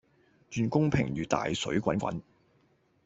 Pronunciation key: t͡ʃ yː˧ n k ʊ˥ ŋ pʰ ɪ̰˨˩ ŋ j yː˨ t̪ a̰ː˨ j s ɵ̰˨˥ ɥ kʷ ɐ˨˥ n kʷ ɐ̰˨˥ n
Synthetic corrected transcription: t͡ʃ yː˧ n k ʊ˥ ŋ pʰ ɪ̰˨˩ ŋ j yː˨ t̪ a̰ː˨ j s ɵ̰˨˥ ɥ kʷ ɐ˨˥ n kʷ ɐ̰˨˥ n